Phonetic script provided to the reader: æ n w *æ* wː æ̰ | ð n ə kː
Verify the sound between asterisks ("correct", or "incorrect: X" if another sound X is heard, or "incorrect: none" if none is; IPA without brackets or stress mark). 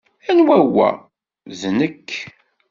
correct